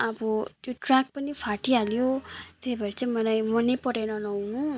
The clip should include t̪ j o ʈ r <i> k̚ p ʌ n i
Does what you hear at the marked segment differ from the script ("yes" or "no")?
yes